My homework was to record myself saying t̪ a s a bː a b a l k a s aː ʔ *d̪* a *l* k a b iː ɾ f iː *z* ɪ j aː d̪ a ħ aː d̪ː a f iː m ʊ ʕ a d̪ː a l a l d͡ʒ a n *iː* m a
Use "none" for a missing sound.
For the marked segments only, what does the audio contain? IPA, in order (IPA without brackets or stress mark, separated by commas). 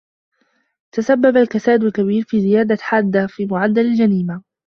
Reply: d̪, l, z, iː